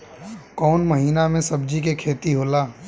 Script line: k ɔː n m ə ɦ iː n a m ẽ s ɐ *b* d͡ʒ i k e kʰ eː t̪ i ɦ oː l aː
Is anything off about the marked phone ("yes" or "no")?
no